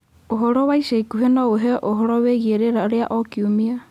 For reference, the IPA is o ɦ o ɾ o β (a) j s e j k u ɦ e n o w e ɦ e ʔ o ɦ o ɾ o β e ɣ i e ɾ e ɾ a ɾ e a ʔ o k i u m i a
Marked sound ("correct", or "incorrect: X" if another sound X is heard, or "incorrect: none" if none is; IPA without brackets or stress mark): correct